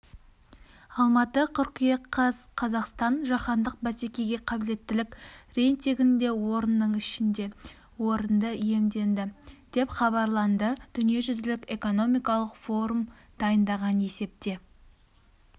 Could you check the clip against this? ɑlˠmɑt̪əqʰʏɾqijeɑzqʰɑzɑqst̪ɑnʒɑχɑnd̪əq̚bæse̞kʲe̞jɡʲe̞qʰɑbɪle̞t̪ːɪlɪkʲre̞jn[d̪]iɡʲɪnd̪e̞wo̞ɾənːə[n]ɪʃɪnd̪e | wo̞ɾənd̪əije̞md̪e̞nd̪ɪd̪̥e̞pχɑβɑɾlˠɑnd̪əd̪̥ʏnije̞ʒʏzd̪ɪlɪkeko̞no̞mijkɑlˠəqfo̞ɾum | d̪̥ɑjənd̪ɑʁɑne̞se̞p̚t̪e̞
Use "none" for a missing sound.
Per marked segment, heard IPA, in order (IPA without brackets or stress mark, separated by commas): t̪, ɴ